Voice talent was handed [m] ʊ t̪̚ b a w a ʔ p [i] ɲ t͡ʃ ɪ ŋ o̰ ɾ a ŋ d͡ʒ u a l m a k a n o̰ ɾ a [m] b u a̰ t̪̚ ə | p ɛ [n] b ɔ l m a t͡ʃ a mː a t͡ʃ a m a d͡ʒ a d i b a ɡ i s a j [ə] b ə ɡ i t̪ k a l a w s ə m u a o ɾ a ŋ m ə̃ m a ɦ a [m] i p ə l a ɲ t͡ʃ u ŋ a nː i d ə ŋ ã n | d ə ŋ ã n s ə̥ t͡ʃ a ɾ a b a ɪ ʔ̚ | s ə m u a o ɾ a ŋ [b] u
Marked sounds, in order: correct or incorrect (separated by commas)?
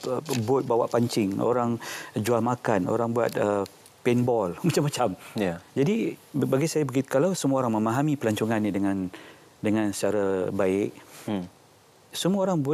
incorrect, incorrect, incorrect, correct, incorrect, correct, correct